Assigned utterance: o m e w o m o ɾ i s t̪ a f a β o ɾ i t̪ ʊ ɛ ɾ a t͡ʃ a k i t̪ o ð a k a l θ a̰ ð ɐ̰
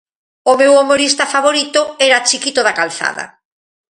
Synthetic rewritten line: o m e w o m o ɾ i s t̪ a f a β o ɾ i t̪ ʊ ɛ ɾ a t͡ʃ i k i t̪ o ð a k a l θ a̰ ð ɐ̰